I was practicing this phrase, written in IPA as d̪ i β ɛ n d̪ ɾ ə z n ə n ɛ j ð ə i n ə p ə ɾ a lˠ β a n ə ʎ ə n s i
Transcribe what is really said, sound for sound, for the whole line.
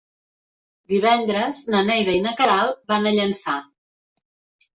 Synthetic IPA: d̪ i β ɛ n d̪ ɾ ə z n ə n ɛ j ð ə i n ə k ə ɾ a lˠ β a n ə ʎ ə n s a